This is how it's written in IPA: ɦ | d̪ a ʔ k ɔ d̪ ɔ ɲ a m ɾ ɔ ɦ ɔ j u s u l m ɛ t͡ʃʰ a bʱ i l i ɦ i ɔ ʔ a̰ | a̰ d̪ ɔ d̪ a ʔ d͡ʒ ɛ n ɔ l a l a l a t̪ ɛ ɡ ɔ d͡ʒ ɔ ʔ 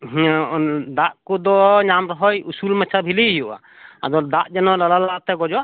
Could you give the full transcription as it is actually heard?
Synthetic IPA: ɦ | d̪ a ʔ k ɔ d̪ ɔ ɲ a m ɾ ɔ ɦ ɔ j u s u l m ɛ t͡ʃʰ a bʱ i l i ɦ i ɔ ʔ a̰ | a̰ d̪ ɔ d̪ a ʔ d͡ʒ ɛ n ɔ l a l a l a t̪ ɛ ɡ ɔ d͡ʒ ɔ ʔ